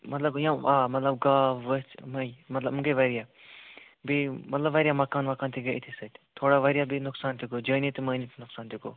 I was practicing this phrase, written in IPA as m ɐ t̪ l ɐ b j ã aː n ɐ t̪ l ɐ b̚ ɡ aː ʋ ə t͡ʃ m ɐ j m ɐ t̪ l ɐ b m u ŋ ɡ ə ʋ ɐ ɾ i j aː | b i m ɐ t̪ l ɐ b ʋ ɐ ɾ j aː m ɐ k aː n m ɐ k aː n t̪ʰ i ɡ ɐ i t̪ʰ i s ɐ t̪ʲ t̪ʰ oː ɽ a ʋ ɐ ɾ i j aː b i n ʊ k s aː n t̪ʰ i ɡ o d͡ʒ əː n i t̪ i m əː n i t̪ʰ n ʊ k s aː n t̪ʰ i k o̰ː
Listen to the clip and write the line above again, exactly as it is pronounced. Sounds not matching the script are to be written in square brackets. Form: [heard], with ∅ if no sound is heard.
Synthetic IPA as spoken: m ɐ t̪ l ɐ b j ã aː [m] ɐ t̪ l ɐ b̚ ɡ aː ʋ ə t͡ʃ m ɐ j m ɐ t̪ l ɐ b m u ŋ ɡ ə ʋ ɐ ɾ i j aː | b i m ɐ t̪ l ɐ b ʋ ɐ ɾ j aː m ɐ k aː n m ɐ k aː n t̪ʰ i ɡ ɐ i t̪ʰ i s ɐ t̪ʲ t̪ʰ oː ɽ a ʋ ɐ ɾ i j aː b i n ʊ k s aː n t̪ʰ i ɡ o d͡ʒ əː n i t̪ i m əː n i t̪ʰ n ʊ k s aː n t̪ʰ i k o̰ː